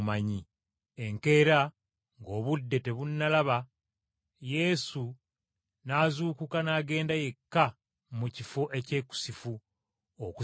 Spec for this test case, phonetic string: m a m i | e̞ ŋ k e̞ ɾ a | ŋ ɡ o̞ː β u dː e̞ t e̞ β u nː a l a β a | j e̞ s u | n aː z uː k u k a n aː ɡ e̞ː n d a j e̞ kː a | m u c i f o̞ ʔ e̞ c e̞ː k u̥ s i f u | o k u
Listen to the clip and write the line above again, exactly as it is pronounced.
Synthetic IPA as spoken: m a ɲ i | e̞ ŋ k e̞ ɾ a | ŋ ɡ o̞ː β u dː e̞ t e̞ β u nː a l a β a | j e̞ s u | n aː z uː k u k a n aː ɡ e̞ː n d a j e̞ kː a | m u c i f o̞ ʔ e̞ c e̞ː k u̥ s i f u | o k u